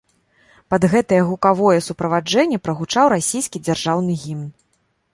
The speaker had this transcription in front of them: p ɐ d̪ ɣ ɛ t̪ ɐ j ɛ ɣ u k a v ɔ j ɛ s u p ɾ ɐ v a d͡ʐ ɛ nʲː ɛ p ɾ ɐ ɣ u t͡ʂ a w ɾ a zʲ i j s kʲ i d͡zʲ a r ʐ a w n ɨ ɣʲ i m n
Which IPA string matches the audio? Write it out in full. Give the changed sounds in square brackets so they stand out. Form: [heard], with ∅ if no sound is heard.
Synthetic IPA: p ɐ d̪ ɣ ɛ t̪ ɐ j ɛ ɣ u k a v ɔ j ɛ s u p ɾ ɐ v a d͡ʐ ɛ nʲː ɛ p ɾ ɐ ɣ u t͡ʂ a w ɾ a [sʲ] i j s kʲ i d͡zʲ a r ʐ a w n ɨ ɣʲ i m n